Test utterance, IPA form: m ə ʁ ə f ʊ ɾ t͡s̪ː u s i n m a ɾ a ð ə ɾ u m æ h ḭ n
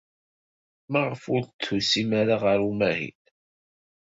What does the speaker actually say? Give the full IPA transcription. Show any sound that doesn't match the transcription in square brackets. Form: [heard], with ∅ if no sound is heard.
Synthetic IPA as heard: m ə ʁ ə f ʊ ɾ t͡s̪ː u s i [∅] m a ɾ a [ʁ] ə ɾ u m æ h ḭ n